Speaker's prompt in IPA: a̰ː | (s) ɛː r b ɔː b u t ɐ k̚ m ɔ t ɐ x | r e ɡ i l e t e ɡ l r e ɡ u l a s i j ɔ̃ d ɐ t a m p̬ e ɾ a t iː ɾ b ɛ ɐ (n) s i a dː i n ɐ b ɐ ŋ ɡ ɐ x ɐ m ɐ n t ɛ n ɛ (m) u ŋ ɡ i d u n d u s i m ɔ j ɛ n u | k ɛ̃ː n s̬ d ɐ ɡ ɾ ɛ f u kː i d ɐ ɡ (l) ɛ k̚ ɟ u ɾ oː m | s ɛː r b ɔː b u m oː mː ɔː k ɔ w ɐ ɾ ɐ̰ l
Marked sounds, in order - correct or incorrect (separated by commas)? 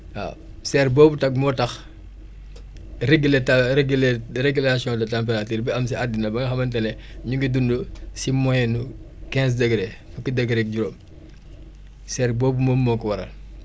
correct, incorrect, incorrect, incorrect